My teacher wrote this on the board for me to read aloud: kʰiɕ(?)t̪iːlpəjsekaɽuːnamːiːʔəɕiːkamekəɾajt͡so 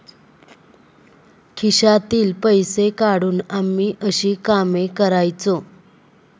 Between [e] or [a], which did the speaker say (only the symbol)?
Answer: a